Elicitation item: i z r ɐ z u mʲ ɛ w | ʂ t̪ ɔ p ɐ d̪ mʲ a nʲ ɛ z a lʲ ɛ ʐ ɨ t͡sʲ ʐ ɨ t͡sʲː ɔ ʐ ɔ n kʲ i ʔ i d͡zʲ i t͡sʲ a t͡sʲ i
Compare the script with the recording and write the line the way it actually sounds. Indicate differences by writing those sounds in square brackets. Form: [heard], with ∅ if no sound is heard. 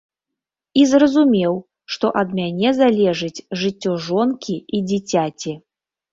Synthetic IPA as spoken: i z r ɐ z u mʲ ɛ w | ʂ t̪ ɔ [ʔ] ɐ d̪ mʲ a nʲ ɛ z a lʲ ɛ ʐ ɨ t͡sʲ ʐ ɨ t͡sʲː ɔ ʐ ɔ n kʲ i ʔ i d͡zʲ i t͡sʲ a t͡sʲ i